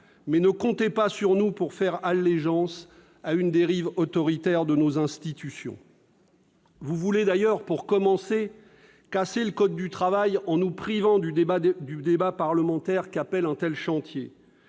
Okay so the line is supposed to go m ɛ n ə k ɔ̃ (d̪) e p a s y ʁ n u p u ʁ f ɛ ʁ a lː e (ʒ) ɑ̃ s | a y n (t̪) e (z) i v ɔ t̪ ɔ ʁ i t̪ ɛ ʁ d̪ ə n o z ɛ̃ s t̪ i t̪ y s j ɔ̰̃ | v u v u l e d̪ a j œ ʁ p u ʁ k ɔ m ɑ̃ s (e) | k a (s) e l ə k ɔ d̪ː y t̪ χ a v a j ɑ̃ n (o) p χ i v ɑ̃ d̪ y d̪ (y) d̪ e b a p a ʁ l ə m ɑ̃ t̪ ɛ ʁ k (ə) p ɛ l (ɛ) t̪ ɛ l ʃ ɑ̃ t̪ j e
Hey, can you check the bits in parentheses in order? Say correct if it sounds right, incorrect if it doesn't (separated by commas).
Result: incorrect, correct, incorrect, incorrect, correct, correct, incorrect, correct, incorrect, incorrect